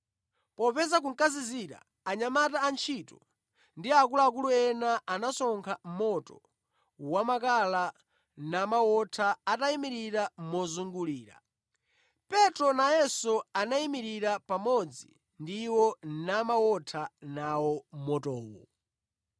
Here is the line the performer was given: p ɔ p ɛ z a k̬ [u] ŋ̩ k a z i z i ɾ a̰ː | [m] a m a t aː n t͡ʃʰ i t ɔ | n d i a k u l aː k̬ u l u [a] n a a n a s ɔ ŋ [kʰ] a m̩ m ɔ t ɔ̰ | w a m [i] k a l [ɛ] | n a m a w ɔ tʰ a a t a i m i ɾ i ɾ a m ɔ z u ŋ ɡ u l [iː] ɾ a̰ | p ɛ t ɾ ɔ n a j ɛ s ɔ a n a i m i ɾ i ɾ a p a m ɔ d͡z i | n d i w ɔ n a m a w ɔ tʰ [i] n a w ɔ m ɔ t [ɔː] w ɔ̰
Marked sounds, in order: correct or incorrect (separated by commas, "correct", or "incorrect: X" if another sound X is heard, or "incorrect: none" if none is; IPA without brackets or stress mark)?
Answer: correct, incorrect: ɲ, incorrect: ɛ, correct, incorrect: a, incorrect: a, correct, incorrect: a, correct